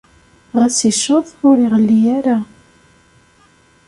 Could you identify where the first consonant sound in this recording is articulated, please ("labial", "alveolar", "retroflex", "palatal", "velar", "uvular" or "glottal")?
uvular